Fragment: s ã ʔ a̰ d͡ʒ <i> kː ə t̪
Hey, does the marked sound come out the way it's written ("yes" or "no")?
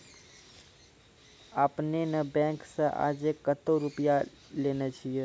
no